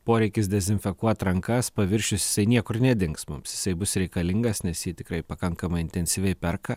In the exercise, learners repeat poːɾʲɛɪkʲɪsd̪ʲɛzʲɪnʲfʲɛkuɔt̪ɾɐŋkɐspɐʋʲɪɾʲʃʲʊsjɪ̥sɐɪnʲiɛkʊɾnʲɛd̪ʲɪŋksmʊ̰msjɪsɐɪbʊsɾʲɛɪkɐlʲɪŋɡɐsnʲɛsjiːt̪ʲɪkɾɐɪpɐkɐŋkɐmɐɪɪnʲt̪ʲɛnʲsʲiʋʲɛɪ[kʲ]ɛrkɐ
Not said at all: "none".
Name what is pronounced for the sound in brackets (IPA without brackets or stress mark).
pʲ